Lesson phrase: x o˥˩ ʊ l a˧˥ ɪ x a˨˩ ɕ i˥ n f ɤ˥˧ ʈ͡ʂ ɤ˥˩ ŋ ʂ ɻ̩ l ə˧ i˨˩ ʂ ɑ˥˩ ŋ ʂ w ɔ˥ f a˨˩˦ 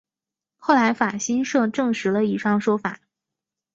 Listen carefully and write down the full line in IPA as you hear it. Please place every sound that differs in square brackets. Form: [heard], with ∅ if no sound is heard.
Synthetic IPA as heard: x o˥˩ ʊ l a˧˥ ɪ [f] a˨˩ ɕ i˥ n [ʂ] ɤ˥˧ ʈ͡ʂ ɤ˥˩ ŋ ʂ ɻ̩ l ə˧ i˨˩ ʂ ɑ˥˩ ŋ ʂ w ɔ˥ f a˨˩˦